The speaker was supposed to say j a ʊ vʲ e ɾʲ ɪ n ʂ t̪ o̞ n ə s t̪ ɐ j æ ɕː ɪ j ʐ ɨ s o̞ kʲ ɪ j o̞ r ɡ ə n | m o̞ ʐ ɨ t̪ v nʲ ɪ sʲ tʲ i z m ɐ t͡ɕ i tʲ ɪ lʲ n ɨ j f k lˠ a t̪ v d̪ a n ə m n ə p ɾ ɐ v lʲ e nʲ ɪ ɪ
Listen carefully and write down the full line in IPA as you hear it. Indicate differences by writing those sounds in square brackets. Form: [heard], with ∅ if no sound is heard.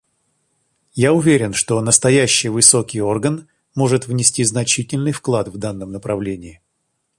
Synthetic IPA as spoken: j a ʊ vʲ e ɾʲ ɪ n ʂ t̪ o̞ n ə s t̪ ɐ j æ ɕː ɪ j [v] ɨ s o̞ kʲ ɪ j o̞ r ɡ ə n | m o̞ ʐ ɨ t̪ v nʲ ɪ sʲ tʲ i z [n] ɐ t͡ɕ i tʲ ɪ lʲ n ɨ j f k lˠ a t̪ v d̪ a [nː] ə m n ə p ɾ ɐ v lʲ e nʲ ɪ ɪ